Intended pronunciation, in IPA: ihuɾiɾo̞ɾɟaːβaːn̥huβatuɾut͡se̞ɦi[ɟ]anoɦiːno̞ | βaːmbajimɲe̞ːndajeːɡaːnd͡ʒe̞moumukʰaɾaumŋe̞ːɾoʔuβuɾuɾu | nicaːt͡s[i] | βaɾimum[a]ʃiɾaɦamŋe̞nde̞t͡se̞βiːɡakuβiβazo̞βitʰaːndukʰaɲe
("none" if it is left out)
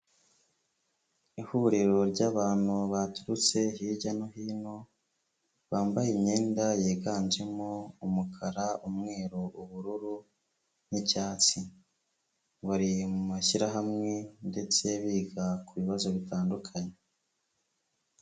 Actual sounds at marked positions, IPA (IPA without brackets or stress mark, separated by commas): ɟ, i, a